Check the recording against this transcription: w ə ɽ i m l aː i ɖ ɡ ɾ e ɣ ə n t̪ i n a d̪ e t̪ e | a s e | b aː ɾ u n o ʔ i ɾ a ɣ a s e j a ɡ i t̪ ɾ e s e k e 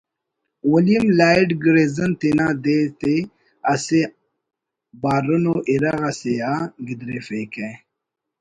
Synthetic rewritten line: w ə l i m l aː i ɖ ɡ ɾ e z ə n t̪ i n a d̪ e t̪ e | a s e | b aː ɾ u n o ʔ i ɾ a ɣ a s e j a ɡ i d̪ ɾ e f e k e